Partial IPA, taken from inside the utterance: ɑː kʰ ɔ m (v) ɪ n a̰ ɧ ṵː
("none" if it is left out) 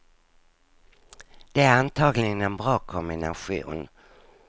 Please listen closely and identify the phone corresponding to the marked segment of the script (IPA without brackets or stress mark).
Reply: b